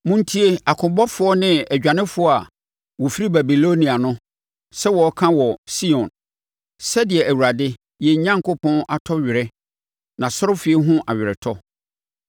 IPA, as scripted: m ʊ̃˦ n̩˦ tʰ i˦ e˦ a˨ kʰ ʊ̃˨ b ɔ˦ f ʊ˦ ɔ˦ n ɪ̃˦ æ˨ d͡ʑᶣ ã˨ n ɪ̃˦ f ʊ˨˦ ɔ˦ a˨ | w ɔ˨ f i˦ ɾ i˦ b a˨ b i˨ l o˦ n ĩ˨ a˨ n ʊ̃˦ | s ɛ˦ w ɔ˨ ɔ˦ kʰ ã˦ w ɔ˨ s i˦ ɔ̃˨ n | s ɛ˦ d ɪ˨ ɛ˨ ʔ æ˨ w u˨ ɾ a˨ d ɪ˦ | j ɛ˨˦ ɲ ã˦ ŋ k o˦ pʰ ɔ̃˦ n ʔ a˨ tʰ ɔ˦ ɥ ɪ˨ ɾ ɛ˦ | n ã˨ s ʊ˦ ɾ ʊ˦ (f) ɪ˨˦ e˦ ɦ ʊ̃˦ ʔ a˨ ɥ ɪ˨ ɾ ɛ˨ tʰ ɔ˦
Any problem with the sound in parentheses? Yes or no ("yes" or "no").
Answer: no